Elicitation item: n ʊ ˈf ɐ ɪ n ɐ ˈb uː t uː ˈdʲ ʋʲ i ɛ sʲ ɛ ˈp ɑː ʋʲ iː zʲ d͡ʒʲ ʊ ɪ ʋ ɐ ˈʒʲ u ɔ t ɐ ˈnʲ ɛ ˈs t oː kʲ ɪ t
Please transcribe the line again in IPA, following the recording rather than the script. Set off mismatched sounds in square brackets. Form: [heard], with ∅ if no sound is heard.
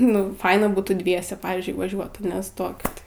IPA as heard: n ʊ ˈf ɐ ɪ n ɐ ˈb uː t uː ˈdʲ ʋʲ i ɛ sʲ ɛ ˈp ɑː ʋʲ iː zʲ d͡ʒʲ ʊ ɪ ʋ ɐ ˈʒʲ u ɔ t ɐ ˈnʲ ɛ ˈs t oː kʲ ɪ t